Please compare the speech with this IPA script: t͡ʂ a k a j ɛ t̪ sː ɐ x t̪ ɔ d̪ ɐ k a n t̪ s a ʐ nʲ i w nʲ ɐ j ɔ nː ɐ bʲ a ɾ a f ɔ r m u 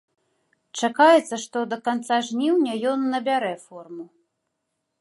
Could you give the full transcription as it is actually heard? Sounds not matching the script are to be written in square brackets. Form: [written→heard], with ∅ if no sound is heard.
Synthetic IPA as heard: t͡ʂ a k a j ɛ t̪ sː ɐ [x→ʂ] t̪ ɔ d̪ ɐ k a n t̪ s a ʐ nʲ i w nʲ ɐ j ɔ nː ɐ bʲ a ɾ [a→ɛ] f ɔ r m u